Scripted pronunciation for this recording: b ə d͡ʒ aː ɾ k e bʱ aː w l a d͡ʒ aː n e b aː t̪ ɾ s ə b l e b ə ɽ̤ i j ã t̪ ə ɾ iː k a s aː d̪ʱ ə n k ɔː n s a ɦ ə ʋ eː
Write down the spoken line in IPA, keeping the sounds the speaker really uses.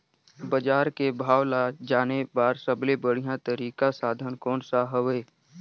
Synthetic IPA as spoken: b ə d͡ʒ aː ɾ k e bʱ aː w l a d͡ʒ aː n e b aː ɾ s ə b l e b ə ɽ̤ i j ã t̪ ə ɾ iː k a s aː d̪ʱ ə n k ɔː n s a ɦ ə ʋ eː